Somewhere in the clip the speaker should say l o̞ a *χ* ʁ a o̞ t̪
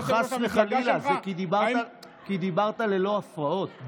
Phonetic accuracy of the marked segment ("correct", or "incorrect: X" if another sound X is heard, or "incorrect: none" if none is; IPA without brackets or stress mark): incorrect: f